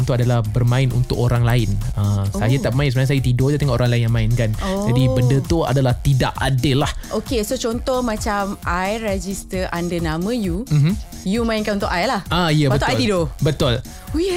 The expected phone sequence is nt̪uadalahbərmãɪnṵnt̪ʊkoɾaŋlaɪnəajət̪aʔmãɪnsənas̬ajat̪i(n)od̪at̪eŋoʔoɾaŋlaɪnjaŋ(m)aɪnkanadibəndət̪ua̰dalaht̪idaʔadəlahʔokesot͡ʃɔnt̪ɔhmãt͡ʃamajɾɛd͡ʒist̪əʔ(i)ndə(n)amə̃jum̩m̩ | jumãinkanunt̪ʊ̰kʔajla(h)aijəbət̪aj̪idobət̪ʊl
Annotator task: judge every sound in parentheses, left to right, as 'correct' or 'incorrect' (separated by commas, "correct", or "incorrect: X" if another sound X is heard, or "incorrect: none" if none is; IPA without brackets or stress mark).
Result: incorrect: d, correct, incorrect: a, correct, correct